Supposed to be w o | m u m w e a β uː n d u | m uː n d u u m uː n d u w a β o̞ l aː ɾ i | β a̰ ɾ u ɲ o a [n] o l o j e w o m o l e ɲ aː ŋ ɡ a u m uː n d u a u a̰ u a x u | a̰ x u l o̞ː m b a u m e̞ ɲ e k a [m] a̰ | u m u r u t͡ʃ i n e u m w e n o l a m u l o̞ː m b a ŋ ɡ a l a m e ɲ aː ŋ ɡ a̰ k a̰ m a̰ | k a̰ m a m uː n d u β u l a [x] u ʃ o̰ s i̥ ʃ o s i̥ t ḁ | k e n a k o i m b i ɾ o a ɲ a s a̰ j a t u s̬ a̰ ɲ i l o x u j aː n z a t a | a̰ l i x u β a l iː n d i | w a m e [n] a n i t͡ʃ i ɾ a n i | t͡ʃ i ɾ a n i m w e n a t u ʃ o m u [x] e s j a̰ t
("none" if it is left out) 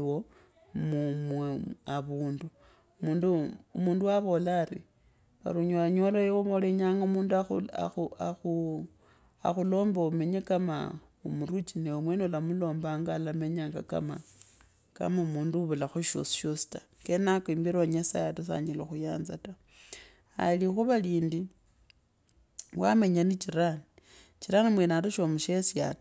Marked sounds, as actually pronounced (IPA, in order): ɲ, m, x, ɲ, ʃ

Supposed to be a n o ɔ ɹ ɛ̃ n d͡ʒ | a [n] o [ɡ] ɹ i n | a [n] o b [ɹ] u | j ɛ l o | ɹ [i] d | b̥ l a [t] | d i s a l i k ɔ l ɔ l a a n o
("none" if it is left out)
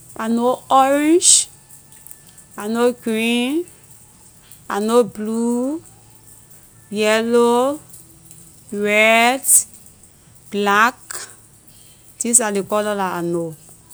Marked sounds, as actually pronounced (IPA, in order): n, ɡ, n, l, ɛ, k

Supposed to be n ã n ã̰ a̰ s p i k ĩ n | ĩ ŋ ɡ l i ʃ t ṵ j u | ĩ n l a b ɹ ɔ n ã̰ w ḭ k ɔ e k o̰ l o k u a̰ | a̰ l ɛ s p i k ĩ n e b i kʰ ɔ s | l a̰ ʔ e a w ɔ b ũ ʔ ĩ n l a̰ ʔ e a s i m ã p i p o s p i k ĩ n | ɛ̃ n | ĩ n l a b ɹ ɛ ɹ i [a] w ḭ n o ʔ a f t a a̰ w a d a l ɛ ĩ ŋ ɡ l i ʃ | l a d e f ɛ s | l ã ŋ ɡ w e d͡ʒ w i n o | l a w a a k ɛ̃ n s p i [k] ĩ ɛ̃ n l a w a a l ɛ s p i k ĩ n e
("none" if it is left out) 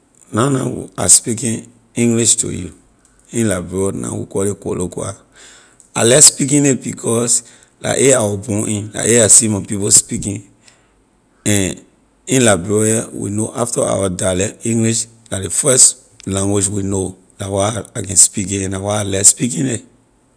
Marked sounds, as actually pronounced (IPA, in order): a, k

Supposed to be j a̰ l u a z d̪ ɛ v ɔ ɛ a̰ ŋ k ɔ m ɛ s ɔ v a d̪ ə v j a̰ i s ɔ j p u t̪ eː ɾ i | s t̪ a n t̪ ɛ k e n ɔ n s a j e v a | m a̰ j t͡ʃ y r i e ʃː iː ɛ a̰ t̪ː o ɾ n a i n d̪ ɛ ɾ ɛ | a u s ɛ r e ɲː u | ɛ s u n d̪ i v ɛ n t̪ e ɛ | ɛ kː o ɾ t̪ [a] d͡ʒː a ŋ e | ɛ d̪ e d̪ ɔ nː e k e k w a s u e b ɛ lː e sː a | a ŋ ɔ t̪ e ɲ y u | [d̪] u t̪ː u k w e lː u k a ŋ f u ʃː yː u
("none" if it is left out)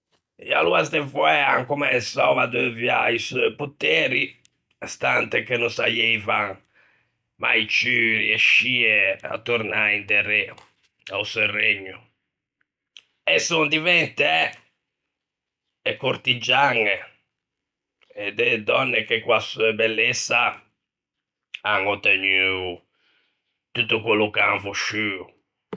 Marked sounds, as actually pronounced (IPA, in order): i, t̪

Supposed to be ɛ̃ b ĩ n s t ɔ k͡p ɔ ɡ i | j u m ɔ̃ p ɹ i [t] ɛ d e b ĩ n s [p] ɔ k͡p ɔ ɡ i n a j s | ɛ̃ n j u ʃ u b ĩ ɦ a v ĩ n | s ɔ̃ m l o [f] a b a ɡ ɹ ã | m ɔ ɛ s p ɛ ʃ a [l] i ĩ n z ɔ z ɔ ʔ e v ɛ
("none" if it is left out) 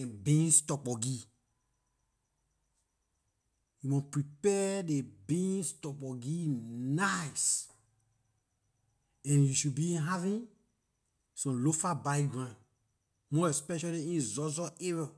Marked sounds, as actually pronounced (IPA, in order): p, t, f, l

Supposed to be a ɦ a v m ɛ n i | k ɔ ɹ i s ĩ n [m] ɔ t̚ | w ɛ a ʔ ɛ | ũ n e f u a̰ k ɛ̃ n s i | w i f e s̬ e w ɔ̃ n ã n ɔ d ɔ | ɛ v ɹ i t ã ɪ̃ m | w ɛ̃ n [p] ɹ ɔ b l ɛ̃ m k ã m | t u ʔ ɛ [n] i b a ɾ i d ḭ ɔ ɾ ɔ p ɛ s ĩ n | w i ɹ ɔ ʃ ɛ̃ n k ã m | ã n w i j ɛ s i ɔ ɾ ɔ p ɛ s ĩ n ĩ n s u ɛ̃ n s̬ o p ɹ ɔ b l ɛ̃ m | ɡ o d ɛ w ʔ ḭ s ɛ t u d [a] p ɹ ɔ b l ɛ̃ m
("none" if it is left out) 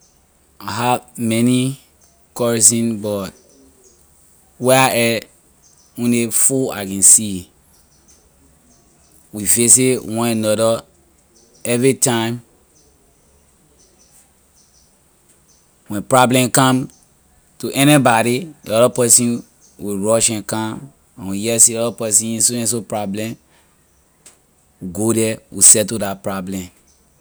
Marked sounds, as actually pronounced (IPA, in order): b, p, n, a

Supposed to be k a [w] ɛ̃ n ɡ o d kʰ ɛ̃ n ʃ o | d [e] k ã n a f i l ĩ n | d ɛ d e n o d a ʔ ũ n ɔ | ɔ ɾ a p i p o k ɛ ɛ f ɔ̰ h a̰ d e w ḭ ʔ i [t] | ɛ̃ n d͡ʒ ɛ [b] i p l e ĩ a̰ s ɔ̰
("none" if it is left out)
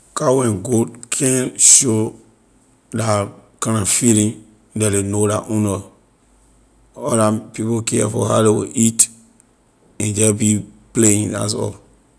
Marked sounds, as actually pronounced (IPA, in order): w, a, t, b

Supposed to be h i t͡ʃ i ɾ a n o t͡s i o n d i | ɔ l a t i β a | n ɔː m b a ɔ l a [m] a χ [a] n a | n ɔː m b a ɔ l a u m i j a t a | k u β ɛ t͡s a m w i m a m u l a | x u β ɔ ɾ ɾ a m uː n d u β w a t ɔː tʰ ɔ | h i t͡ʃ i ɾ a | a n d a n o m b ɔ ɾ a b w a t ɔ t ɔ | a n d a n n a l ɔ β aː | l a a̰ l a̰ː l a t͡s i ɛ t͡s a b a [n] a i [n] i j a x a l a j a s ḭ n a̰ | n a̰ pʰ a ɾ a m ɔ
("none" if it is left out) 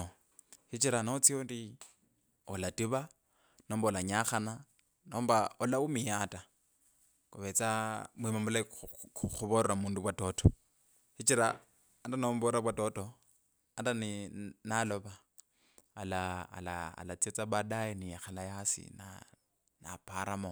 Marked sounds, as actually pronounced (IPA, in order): ɲ, a, d, n

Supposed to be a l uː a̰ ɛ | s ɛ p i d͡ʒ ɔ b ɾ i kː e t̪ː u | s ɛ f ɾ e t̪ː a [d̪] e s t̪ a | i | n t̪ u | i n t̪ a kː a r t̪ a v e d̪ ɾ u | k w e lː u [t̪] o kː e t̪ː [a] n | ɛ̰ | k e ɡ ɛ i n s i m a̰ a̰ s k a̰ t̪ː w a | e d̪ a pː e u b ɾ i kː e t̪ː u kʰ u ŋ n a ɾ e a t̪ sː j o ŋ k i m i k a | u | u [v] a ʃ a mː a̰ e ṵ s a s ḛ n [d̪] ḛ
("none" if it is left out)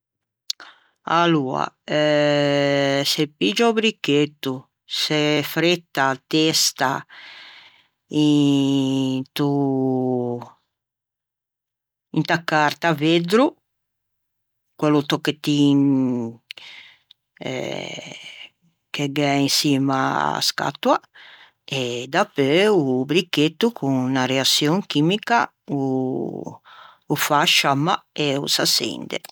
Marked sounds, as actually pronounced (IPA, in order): t̪, t̪, i, f, d̪

